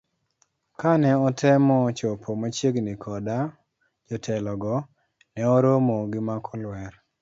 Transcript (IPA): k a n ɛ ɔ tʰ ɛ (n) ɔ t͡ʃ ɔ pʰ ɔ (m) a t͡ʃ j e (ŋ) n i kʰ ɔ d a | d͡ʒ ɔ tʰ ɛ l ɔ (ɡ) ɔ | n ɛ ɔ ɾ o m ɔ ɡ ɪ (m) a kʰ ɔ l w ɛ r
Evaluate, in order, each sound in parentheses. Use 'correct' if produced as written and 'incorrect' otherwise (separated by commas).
incorrect, correct, incorrect, correct, correct